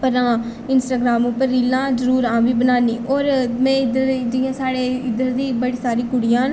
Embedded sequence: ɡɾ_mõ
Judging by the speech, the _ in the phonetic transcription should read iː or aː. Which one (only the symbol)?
aː